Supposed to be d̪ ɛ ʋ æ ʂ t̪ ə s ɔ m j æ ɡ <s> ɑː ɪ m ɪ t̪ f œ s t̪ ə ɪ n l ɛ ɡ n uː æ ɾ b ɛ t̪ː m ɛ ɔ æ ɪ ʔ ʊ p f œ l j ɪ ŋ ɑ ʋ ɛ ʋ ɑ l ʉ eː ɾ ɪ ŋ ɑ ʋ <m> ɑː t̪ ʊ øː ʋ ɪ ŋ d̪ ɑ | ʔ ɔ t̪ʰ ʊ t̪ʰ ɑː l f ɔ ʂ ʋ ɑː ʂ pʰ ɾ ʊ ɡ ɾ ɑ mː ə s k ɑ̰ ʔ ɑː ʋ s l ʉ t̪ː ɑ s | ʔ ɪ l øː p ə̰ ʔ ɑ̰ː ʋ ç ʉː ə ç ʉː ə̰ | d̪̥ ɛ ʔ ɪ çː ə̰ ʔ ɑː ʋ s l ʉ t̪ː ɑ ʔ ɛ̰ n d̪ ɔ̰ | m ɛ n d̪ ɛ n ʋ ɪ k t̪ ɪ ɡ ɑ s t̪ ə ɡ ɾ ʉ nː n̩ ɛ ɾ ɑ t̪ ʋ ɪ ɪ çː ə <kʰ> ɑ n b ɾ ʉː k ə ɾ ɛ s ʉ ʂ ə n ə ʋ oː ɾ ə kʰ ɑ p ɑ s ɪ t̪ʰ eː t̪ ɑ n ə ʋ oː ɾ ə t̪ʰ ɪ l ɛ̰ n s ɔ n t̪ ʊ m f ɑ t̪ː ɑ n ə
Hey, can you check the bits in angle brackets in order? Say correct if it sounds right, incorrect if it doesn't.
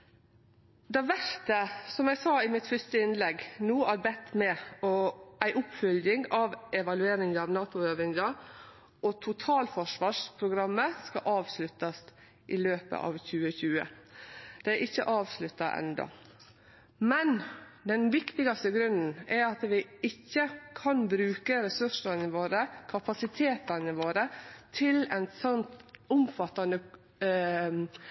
correct, incorrect: n, correct

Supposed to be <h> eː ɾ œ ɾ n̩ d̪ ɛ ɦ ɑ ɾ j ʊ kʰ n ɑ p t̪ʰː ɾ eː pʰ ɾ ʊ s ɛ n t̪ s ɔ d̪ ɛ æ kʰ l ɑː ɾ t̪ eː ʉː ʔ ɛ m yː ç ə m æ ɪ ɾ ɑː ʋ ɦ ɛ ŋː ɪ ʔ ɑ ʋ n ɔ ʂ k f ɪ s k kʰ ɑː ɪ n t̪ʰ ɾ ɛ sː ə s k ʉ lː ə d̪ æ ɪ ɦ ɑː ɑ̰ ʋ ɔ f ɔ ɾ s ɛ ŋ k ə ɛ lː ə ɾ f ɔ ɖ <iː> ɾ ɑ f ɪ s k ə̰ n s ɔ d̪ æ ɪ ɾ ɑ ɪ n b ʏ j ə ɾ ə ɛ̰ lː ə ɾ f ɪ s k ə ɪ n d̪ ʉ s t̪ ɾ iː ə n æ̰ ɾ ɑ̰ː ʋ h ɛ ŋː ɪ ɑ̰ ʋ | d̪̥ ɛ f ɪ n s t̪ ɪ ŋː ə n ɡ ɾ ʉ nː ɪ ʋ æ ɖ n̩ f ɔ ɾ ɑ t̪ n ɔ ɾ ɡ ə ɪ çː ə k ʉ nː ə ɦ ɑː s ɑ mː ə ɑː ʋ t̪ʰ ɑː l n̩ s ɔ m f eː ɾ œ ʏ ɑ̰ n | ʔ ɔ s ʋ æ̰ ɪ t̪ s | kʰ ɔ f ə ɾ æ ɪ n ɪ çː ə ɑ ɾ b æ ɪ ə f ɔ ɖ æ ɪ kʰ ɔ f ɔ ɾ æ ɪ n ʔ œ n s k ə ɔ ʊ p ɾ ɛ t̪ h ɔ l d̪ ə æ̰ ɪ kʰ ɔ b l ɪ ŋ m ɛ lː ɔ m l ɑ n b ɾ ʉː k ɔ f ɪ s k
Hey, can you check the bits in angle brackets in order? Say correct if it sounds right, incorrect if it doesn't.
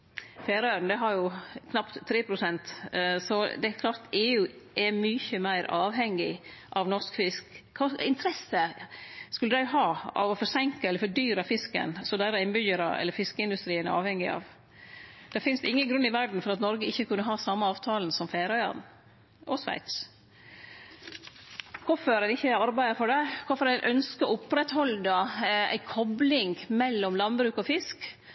incorrect: f, incorrect: yː

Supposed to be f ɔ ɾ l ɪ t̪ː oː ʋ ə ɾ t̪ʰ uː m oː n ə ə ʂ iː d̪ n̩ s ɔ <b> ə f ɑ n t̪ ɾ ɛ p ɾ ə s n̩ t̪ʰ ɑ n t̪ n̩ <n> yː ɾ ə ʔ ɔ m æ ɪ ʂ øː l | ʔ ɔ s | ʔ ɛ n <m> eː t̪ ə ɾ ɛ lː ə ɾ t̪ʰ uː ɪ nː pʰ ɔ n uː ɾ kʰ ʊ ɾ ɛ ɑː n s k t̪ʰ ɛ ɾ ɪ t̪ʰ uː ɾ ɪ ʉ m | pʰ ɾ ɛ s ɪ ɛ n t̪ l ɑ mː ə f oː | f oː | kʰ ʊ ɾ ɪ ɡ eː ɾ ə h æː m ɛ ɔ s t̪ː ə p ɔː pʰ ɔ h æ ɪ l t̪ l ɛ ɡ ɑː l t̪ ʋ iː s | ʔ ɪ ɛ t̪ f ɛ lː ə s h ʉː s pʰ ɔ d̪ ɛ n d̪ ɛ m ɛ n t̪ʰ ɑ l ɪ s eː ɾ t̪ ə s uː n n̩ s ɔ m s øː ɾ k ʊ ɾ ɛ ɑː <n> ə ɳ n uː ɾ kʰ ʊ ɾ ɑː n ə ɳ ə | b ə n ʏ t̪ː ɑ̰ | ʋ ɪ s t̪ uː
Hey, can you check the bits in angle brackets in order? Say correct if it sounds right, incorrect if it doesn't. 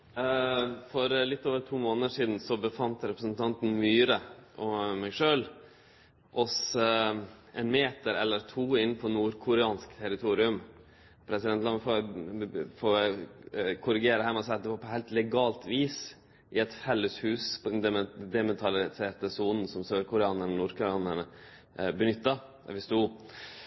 correct, incorrect: m, correct, correct

